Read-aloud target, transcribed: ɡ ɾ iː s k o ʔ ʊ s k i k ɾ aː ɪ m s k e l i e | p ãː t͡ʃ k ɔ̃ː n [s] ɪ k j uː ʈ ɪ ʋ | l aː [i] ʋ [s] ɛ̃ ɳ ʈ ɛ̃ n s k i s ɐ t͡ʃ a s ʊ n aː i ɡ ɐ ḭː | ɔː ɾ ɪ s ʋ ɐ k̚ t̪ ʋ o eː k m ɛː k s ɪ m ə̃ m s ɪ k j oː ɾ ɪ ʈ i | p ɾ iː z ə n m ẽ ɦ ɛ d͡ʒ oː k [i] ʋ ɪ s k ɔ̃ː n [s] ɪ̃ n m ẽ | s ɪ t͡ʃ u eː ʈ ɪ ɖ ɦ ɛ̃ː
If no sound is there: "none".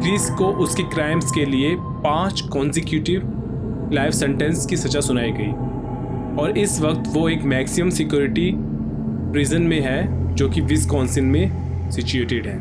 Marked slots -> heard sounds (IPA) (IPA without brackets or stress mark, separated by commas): s, ɪ, s, i, s